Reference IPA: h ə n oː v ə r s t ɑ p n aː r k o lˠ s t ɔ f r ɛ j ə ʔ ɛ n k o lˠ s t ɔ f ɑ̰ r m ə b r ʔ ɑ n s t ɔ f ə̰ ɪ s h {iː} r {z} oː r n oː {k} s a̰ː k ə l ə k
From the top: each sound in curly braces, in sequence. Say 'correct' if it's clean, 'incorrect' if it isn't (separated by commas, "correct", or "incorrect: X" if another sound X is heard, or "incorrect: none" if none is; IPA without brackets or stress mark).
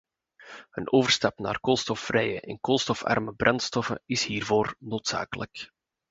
correct, incorrect: v, incorrect: t